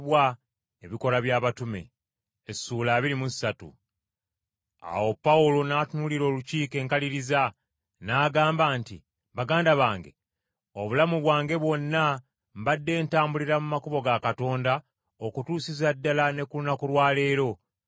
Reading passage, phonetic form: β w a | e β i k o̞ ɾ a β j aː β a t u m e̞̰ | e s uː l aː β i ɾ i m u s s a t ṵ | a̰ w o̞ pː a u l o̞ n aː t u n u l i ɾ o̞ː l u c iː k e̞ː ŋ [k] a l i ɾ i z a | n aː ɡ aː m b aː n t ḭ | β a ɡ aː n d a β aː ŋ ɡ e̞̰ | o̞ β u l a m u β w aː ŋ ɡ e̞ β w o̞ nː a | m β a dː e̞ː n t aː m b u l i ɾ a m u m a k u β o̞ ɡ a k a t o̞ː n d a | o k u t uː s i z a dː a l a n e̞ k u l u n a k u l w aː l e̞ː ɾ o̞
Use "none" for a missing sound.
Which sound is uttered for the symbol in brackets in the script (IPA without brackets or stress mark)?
k